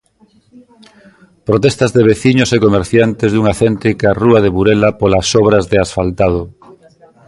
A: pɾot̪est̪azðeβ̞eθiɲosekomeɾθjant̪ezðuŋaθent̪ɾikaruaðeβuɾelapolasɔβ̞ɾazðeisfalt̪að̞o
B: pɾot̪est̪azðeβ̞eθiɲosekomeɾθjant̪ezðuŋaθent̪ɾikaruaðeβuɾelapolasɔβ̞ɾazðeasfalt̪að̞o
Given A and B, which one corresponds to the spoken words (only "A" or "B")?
B